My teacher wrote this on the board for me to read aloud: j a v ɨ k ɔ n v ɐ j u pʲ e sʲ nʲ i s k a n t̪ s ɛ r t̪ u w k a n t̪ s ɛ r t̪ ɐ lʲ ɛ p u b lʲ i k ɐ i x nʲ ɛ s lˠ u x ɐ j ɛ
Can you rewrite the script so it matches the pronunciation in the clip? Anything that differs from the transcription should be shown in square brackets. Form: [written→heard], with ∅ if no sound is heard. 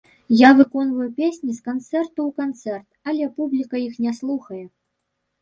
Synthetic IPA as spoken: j a v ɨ k ɔ n v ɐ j u pʲ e sʲ nʲ i s k a n t̪ s ɛ r t̪ u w k a n t̪ s ɛ r t̪ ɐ lʲ ɛ p u b lʲ i k ɐ i x nʲ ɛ s lˠ u x ɐ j ɛ

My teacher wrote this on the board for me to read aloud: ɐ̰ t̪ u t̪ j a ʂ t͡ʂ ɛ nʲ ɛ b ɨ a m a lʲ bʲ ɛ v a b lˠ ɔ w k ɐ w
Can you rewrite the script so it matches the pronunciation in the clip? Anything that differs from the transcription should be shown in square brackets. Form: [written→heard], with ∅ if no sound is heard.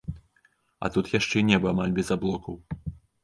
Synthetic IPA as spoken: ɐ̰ t̪ u t̪ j a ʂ t͡ʂ ɛ nʲ ɛ b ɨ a m a lʲ bʲ ɛ [v→z] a b lˠ ɔ [w→∅] k ɐ w

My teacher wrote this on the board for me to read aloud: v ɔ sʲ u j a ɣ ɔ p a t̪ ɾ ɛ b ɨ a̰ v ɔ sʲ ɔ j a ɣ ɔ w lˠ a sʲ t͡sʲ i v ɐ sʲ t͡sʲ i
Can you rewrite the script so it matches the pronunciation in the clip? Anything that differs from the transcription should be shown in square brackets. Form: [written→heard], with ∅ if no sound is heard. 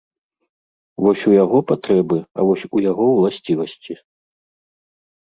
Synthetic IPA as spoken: v ɔ sʲ u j a ɣ ɔ p a t̪ ɾ ɛ b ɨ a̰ v ɔ sʲ [ɔ→u] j a ɣ ɔ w lˠ a sʲ t͡sʲ i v ɐ sʲ t͡sʲ i

